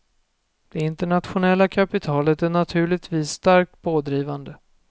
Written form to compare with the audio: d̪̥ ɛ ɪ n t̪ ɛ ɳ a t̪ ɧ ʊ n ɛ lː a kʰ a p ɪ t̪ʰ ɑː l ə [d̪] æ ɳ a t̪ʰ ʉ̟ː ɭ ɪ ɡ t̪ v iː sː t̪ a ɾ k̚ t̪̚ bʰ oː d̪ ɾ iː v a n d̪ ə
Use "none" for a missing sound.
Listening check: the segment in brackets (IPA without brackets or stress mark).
t̪